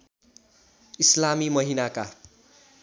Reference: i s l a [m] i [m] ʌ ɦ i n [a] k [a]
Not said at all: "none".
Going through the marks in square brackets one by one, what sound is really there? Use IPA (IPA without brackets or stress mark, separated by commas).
m, m, a, a